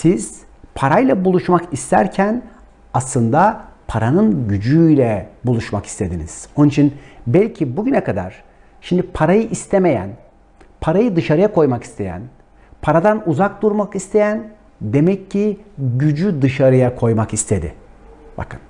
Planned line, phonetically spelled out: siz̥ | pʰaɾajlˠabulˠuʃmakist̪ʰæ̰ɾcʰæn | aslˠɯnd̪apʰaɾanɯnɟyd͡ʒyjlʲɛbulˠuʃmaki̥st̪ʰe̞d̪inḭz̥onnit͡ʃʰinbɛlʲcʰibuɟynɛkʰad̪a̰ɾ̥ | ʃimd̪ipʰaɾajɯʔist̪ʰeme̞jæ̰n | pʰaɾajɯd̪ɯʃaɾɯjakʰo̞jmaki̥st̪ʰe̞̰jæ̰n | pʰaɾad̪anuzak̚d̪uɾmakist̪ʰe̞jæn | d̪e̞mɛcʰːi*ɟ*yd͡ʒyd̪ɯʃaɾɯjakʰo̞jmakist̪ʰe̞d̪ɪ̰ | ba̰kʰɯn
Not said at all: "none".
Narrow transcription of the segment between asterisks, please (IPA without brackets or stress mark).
ɟ